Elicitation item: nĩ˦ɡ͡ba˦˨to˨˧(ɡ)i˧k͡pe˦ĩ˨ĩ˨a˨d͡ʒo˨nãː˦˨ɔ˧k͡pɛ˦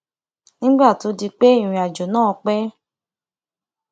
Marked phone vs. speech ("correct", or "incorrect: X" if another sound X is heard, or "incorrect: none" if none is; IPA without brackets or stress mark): incorrect: d